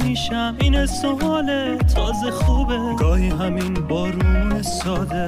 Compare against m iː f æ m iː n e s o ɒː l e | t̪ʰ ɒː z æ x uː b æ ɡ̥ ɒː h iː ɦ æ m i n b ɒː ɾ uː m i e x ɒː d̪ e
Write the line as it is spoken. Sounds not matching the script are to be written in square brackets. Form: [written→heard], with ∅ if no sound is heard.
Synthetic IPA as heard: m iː [f→ʃ] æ m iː n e s o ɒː l e | t̪ʰ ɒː z [æ→e] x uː b [æ→e] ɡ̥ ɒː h iː ɦ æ m i n b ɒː ɾ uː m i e [x→s] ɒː d̪ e